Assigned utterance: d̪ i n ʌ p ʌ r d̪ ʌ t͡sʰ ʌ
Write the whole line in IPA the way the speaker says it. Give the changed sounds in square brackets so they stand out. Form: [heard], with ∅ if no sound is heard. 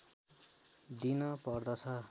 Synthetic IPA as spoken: d̪ i n ʌ p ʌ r d̪ ʌ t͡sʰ ʌ